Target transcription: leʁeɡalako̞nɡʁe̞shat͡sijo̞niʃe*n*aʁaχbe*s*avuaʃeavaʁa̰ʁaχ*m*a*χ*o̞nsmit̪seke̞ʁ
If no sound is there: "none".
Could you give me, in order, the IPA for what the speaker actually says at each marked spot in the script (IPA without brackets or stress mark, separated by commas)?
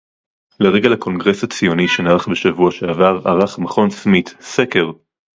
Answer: n, ʃ, m, χ